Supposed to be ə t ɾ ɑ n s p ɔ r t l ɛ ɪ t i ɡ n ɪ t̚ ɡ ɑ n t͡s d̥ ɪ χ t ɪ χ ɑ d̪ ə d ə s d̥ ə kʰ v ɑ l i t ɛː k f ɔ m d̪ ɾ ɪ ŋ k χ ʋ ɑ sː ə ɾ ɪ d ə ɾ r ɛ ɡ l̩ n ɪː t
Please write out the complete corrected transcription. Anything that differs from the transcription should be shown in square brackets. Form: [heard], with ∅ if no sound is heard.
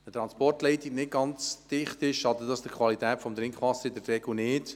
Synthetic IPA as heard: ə t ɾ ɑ n s p ɔ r t l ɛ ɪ t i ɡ n ɪ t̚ ɡ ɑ n t͡s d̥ ɪ χ t ɪ [ʃ] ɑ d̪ ə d [ɑ] s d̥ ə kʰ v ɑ l i t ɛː [t] f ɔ m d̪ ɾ ɪ ŋ k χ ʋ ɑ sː ə ɾ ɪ d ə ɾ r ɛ ɡ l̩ n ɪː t